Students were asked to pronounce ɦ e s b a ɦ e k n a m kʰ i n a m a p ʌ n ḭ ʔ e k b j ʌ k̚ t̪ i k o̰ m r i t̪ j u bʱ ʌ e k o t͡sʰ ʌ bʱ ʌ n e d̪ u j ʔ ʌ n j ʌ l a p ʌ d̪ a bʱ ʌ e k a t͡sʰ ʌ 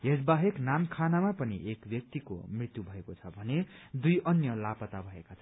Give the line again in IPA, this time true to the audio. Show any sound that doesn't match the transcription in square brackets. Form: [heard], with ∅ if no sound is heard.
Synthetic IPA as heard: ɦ e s b a ɦ e k n a m kʰ [a] n a m a p ʌ n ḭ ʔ e k b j ʌ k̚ t̪ i k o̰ m r i t̪ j u bʱ ʌ e k o t͡sʰ ʌ bʱ ʌ n e d̪ u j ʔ ʌ n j ʌ l a p ʌ [t̪] a bʱ ʌ e k a t͡sʰ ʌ